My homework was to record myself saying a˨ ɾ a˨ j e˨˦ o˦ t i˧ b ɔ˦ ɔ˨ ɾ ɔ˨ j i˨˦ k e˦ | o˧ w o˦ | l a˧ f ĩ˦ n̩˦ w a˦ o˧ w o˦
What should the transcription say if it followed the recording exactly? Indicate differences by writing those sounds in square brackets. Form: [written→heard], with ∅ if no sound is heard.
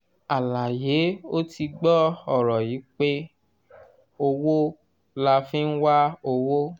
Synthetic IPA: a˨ [ɾ→l] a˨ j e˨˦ o˦ t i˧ [b→ɡ͡b] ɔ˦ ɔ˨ ɾ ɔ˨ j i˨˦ [k→k͡p] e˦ | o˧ w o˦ | l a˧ f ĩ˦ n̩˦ w a˦ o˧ w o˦